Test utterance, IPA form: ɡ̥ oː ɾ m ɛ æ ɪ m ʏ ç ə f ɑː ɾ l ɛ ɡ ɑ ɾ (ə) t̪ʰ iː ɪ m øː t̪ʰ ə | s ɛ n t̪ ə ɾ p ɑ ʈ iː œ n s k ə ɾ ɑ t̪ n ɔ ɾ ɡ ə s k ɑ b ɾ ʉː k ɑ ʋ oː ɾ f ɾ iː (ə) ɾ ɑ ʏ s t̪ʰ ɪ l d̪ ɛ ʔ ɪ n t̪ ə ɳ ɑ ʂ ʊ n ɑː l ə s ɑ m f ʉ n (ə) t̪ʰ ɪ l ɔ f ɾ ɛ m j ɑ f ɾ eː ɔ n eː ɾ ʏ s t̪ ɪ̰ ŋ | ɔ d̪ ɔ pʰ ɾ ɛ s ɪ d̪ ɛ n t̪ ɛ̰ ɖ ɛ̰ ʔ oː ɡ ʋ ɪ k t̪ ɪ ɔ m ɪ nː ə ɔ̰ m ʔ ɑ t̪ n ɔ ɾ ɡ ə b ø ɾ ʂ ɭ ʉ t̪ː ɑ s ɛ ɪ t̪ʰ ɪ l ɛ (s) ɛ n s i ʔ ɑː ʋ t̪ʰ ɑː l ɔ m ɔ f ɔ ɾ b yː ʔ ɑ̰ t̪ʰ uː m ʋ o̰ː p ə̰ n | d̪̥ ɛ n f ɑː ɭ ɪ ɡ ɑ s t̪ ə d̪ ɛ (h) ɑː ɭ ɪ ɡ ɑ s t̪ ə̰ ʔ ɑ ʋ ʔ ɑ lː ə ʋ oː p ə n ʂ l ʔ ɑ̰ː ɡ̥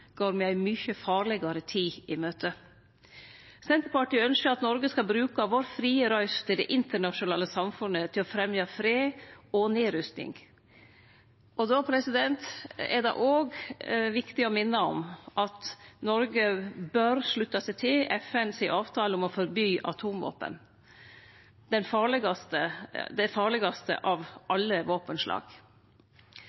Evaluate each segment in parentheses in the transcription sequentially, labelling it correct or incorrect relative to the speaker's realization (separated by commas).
correct, correct, correct, incorrect, incorrect